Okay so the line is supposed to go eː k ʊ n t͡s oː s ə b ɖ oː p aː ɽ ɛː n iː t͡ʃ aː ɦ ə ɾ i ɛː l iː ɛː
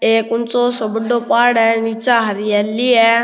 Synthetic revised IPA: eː k ʊ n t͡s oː s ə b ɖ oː p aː ɽ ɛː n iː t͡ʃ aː ɦ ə ɾ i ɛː l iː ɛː